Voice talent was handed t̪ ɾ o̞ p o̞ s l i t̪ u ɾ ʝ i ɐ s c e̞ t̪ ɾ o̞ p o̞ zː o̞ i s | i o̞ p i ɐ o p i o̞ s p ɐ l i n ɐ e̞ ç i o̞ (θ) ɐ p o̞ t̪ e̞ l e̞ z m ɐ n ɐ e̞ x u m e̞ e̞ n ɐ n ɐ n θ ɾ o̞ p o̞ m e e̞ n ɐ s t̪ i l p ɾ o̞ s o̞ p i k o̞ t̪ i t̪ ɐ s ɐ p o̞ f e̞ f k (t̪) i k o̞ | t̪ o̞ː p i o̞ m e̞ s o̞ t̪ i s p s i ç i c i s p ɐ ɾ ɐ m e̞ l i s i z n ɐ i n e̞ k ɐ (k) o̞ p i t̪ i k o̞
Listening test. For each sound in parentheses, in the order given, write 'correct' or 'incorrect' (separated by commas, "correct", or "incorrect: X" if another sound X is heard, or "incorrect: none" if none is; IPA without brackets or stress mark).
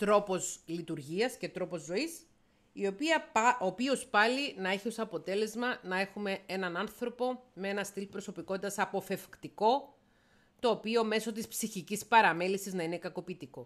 incorrect: s, correct, correct